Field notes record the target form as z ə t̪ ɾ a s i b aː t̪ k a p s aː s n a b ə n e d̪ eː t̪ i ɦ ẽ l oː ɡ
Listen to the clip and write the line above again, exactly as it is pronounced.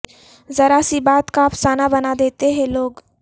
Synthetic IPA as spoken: z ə ɾ a s i b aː t̪ k a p s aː n a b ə n a d̪ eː t̪ e ɦ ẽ l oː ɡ